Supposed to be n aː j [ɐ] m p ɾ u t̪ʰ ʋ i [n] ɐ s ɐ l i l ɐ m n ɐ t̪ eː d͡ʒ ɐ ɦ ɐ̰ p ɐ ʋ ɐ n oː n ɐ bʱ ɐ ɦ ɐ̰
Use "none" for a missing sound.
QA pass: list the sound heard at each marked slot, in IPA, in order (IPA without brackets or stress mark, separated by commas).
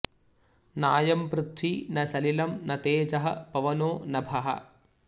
ɐ, n